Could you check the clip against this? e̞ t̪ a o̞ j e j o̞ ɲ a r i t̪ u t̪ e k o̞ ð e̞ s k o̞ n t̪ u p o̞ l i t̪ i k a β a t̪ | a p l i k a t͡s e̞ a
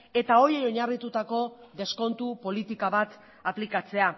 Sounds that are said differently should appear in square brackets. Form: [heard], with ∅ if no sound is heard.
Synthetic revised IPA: e̞ t̪ a o̞ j e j o̞ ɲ a r i t̪ u t̪ [a] k o̞ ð e̞ s k o̞ n t̪ u p o̞ l i t̪ i k a β a t̪ | a p l i k a t͡s e̞ a